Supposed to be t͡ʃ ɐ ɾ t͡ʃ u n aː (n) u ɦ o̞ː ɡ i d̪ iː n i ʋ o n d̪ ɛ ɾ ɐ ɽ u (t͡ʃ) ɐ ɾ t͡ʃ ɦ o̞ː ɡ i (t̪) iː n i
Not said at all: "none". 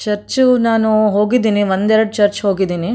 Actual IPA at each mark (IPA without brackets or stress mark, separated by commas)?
n, t͡ʃ, d̪